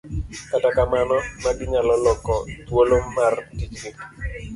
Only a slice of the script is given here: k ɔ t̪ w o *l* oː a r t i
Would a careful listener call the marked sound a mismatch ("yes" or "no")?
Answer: no